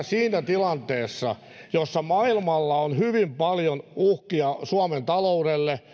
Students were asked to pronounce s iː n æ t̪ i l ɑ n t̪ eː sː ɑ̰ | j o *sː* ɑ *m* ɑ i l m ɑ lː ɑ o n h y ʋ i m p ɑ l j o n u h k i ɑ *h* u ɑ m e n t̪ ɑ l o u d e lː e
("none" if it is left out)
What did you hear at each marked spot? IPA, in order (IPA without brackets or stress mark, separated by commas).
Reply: sː, m, s